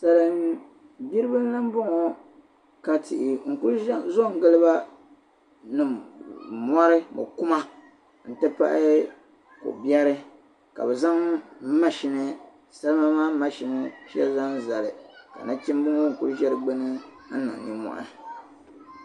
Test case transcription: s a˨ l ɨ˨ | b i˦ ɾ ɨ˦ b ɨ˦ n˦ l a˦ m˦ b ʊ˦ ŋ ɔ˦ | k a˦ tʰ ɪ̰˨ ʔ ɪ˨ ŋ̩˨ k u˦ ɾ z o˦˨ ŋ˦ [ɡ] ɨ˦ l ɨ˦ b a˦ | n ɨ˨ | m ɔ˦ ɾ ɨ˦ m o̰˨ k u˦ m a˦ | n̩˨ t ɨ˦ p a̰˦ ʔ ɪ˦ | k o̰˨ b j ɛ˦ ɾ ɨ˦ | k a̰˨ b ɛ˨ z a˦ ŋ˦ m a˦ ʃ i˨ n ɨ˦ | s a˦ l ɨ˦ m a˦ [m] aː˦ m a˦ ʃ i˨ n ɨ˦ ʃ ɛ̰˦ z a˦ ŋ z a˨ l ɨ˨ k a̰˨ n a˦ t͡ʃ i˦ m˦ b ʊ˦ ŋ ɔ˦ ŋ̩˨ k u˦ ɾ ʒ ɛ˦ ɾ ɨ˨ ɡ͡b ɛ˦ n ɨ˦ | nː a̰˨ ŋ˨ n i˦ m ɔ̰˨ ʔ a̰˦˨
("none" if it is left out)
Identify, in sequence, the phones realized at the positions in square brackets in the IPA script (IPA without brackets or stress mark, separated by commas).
ɡ, m